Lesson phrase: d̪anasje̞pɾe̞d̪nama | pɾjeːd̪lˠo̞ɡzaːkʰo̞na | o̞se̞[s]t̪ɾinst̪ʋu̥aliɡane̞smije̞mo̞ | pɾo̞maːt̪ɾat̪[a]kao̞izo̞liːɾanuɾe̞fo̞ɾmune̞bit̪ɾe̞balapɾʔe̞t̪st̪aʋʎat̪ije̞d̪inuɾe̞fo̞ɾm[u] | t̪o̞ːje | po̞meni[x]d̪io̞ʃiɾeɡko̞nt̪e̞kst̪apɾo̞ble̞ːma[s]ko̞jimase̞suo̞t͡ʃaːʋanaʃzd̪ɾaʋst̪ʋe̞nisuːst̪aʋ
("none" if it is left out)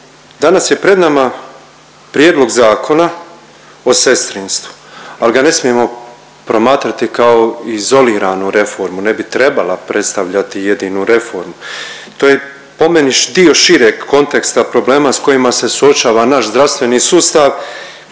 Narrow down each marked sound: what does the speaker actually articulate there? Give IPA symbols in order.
s, i, u, ʃ, s

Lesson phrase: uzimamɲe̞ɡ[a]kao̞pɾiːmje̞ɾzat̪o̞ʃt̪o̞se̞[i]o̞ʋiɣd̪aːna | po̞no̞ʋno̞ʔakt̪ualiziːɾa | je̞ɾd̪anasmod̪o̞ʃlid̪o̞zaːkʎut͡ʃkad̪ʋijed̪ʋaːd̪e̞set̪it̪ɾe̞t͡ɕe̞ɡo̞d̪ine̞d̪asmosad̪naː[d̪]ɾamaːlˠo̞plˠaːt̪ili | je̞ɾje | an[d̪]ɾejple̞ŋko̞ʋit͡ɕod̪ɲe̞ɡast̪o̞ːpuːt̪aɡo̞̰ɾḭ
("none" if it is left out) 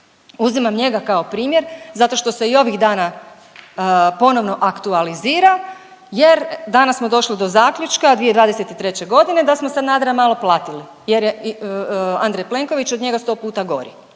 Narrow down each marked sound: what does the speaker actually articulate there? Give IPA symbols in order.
a, i, d̪, d̪

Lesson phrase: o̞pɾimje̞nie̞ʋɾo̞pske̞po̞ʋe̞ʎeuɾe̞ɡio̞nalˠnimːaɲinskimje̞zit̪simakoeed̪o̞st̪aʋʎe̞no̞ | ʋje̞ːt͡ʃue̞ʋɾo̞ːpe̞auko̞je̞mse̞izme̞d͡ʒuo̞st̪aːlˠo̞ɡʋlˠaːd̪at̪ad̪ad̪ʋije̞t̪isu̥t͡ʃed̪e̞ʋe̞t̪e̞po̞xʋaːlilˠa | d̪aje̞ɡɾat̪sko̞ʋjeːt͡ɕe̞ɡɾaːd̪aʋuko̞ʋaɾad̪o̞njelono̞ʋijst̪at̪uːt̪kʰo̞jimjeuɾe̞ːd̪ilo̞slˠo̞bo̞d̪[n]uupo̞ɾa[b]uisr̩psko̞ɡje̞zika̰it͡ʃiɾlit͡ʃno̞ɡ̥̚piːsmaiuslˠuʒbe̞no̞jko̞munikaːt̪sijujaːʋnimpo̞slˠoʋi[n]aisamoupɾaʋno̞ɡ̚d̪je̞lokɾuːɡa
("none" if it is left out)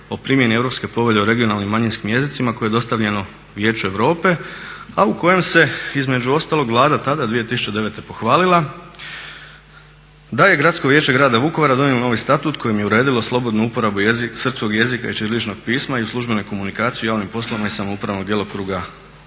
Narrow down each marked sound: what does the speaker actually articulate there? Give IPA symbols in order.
n, b, m

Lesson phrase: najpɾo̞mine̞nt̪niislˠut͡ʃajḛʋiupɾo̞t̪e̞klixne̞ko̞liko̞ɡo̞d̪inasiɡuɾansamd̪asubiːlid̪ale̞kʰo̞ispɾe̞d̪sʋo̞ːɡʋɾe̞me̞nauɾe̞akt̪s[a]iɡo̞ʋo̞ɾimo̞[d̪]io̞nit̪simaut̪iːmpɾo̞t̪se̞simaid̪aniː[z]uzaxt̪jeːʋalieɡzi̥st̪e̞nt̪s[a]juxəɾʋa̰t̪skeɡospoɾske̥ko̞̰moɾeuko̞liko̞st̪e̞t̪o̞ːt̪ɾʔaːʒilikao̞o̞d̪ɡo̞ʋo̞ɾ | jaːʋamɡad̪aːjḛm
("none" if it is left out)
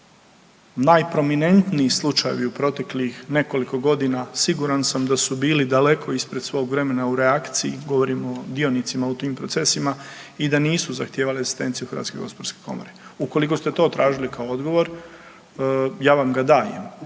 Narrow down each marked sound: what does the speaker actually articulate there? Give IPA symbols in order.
i, d̪, s, i

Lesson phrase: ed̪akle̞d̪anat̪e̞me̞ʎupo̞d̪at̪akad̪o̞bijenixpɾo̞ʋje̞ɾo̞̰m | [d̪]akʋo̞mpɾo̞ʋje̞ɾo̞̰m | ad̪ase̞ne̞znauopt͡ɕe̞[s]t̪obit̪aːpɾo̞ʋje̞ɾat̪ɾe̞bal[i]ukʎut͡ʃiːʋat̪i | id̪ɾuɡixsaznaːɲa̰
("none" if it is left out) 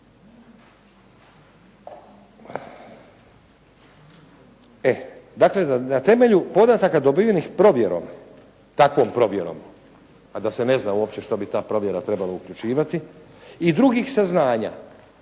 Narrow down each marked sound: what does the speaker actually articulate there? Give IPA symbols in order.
t̪, ʃ, a

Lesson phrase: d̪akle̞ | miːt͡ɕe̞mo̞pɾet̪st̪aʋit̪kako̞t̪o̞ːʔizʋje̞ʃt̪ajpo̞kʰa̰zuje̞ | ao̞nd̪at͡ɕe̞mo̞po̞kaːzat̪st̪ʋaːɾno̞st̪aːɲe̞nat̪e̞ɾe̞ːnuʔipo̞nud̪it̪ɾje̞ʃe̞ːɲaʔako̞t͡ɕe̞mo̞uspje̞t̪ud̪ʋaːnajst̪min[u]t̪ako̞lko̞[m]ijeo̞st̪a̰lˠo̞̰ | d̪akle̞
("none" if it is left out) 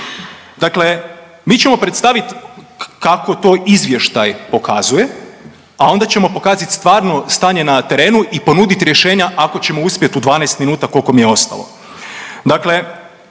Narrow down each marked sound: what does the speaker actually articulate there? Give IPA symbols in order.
uː, m

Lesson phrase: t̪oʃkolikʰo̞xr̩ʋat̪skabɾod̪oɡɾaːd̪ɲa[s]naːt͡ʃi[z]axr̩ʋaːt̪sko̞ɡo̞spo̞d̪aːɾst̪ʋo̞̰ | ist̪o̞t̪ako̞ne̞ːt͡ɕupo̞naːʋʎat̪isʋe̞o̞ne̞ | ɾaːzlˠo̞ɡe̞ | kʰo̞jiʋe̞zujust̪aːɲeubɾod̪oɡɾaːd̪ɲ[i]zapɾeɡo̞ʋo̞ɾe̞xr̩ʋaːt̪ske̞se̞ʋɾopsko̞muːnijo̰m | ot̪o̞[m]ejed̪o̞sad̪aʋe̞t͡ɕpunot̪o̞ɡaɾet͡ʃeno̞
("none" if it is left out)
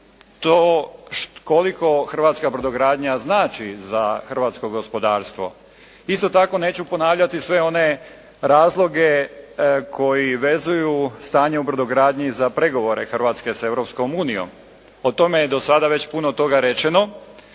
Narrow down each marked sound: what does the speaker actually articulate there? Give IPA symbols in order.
z, z, i, m

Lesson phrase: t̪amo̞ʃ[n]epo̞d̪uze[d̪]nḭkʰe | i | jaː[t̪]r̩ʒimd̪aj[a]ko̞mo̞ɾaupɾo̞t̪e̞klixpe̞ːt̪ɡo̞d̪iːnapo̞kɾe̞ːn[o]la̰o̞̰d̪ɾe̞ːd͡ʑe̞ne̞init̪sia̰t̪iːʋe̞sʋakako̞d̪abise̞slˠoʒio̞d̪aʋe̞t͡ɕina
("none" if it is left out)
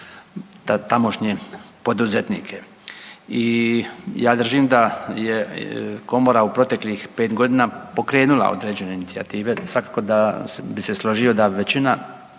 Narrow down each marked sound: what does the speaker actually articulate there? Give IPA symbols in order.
ɲ, t̪, d̪, e, u

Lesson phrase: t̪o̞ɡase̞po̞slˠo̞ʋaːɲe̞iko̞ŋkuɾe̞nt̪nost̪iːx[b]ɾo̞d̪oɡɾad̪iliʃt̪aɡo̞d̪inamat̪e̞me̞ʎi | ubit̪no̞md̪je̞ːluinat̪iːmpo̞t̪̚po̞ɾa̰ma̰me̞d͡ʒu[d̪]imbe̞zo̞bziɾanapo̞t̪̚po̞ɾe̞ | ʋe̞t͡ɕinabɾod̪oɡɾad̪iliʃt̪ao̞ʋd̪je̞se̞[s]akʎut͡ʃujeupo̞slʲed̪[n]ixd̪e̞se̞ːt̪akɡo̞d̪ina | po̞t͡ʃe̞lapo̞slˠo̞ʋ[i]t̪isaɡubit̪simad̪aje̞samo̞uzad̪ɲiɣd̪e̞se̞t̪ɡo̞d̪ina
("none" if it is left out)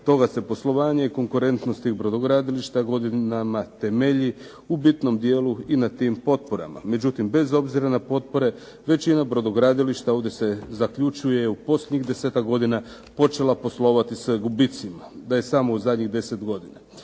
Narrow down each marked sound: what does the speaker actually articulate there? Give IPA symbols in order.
b, t̪, z, ɲ, a

